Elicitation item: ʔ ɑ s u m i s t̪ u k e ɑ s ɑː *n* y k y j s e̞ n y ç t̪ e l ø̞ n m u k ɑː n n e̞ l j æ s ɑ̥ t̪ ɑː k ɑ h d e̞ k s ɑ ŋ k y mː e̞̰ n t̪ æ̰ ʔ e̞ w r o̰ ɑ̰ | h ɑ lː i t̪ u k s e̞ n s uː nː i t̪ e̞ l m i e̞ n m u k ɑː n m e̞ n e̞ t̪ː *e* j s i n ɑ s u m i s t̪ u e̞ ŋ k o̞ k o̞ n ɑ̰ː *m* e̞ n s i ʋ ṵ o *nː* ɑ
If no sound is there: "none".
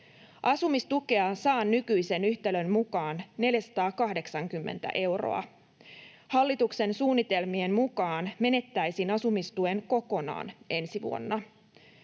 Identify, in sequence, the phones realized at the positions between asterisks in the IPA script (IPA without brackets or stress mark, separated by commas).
nː, æ, n, nː